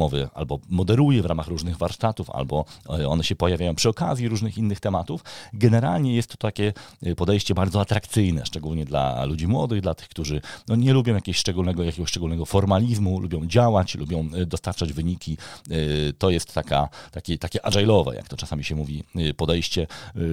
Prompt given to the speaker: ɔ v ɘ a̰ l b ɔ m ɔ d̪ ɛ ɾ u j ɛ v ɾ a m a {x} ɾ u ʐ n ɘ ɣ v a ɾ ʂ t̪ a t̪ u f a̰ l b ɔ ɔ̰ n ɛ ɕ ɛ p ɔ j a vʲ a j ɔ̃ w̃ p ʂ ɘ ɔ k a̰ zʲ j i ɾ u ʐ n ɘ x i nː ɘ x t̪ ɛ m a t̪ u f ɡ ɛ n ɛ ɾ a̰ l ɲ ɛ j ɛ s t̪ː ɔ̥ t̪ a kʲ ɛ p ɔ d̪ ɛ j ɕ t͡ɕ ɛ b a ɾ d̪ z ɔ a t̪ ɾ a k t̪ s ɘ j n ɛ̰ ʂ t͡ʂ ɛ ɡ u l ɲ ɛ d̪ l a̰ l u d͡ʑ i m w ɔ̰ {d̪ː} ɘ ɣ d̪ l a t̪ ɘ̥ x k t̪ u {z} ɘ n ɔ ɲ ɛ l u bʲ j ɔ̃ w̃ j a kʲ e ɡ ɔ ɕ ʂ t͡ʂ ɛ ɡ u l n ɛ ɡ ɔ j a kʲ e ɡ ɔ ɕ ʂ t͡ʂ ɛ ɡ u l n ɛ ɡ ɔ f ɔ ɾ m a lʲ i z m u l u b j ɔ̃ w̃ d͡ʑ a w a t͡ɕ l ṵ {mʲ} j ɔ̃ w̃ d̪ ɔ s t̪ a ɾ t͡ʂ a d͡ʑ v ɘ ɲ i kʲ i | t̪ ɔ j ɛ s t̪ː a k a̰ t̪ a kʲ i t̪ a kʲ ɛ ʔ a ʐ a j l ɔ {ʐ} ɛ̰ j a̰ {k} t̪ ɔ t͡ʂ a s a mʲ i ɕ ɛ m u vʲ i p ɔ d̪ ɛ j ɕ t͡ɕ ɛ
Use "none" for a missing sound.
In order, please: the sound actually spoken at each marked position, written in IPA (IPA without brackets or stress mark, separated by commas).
x, d̪, ʐ, bʲ, v, k